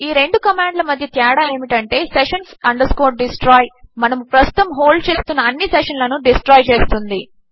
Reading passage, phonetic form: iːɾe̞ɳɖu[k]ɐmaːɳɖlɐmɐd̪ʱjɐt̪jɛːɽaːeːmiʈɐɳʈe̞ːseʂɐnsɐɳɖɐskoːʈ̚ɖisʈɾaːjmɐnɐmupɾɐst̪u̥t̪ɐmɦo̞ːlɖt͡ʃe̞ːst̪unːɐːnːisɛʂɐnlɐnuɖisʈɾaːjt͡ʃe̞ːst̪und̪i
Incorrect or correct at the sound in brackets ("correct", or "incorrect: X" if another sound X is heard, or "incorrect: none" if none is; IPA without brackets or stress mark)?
correct